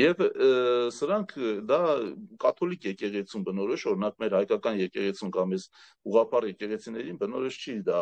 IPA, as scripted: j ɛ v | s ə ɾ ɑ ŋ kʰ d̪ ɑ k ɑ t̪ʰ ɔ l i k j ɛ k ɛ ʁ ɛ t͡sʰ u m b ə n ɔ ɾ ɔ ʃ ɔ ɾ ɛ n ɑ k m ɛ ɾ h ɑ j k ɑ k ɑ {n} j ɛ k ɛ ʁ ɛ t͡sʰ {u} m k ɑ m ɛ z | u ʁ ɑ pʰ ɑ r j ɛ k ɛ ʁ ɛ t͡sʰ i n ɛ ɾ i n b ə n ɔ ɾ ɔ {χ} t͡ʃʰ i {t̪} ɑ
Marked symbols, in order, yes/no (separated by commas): yes, yes, no, no